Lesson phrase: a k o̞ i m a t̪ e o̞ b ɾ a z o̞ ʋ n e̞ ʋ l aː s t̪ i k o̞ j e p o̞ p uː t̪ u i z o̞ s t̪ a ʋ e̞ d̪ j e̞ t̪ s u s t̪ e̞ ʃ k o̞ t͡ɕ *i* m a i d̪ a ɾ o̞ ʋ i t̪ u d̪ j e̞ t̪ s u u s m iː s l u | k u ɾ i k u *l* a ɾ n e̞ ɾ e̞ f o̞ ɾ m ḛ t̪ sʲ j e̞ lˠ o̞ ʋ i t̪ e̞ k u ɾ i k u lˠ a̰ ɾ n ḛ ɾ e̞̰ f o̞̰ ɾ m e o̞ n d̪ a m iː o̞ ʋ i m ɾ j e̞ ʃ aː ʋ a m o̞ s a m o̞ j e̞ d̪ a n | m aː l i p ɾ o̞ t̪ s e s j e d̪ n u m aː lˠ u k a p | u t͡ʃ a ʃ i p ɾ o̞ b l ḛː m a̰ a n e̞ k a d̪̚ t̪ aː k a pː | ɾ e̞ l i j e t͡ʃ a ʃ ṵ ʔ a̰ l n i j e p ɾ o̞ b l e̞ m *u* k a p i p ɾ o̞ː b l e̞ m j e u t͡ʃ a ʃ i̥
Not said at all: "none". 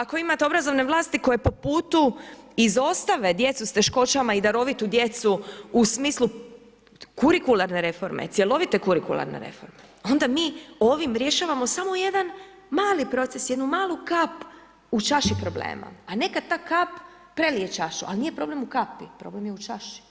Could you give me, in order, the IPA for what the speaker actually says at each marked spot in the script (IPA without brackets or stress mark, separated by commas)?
a, l, u